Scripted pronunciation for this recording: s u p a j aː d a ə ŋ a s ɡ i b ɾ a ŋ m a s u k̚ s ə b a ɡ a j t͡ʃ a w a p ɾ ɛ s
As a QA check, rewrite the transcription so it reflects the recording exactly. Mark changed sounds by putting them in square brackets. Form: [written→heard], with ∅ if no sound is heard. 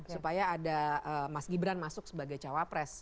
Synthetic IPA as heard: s u p a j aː d a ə [ŋ→m] a s ɡ i b ɾ a [ŋ→n] m a s [u→ʊ] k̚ s ə b a ɡ a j t͡ʃ a w a p ɾ ɛ s

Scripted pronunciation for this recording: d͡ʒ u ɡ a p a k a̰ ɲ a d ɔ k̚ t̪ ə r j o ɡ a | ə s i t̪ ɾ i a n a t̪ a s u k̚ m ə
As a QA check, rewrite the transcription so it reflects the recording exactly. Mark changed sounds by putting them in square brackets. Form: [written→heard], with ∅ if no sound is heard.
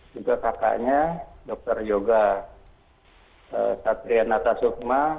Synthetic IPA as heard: d͡ʒ u ɡ a [p→k] a k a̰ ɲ a d ɔ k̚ t̪ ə r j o ɡ a | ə s [i→a] t̪ ɾ i a n a t̪ a s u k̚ m [ə→a]

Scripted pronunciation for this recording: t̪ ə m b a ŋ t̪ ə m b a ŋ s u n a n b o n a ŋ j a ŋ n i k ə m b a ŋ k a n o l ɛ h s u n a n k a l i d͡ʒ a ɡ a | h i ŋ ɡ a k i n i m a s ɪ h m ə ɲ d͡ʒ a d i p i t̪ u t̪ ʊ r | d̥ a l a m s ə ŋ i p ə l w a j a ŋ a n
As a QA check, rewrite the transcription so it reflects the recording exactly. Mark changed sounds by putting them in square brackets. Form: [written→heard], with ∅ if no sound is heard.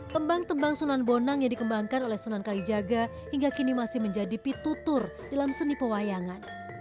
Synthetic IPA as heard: t̪ ə m b a ŋ t̪ ə m b a ŋ s u n a n b o n a ŋ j a ŋ [n→d] i k ə m b a ŋ k a n o l ɛ h s u n a n k a l i d͡ʒ a ɡ a | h i ŋ ɡ a k i n i m a s ɪ h m ə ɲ d͡ʒ a d i p i t̪ u t̪ ʊ r | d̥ a l a m s ə [ŋ→n] i p ə [l→∅] w a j a ŋ a n

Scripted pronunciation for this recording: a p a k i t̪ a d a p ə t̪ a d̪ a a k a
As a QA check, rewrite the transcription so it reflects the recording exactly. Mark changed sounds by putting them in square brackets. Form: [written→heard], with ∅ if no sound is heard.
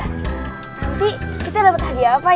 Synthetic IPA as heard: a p [a→i] k i t̪ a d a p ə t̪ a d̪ [a→i] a [k→p] a

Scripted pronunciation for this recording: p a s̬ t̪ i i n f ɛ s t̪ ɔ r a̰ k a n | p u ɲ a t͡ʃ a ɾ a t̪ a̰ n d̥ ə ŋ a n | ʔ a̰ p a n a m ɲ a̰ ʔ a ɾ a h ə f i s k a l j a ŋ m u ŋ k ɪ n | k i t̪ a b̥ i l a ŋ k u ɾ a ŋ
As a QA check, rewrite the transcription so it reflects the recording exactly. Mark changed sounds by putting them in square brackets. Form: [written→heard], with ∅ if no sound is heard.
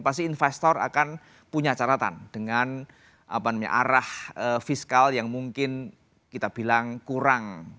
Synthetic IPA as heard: p a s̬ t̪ i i n f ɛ s t̪ ɔ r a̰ k a n | p u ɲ a t͡ʃ a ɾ a t̪ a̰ n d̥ ə ŋ a n | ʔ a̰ p a n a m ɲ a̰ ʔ a ɾ a h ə f i s k a l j a ŋ m u ŋ k ɪ n | k i t̪ a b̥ i l a ŋ k u ɾ a ŋ

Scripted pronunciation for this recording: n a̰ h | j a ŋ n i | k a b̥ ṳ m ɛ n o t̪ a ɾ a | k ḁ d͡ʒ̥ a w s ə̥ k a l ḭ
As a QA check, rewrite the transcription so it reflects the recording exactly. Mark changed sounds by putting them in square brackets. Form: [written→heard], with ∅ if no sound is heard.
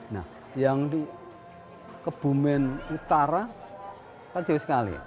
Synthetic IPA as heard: n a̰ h | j a ŋ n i | k [a→ə] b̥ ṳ m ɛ n [o→u] t̪ a ɾ a | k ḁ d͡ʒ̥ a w s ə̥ k a l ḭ

